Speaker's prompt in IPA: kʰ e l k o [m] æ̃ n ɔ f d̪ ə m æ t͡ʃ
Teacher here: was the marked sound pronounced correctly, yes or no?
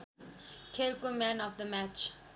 yes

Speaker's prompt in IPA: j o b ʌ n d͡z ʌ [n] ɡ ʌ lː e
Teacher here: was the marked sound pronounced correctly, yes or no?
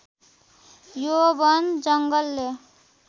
no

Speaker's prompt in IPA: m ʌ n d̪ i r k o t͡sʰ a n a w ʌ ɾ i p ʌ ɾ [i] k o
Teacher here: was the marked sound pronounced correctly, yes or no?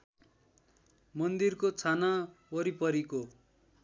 yes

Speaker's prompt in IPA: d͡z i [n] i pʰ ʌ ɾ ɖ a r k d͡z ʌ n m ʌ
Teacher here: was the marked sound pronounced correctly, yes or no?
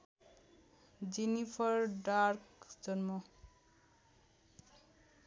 yes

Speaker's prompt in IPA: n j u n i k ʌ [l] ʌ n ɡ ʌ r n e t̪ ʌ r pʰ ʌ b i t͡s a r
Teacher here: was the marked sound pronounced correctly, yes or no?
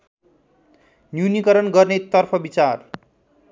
no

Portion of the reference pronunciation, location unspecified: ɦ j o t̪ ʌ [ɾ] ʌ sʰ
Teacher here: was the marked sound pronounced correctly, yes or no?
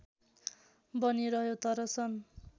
yes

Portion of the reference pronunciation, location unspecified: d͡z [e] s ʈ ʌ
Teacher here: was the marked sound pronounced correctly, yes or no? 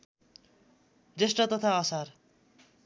yes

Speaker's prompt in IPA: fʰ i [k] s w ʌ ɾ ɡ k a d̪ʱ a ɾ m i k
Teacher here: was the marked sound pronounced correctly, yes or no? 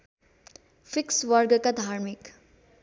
yes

